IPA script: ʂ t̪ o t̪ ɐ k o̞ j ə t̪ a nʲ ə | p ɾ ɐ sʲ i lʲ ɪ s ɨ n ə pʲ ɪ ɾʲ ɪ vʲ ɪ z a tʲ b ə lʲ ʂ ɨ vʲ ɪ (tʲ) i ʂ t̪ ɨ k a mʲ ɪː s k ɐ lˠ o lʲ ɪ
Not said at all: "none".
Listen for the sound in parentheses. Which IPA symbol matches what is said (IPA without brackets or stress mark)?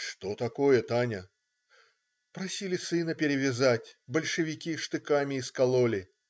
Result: kʲ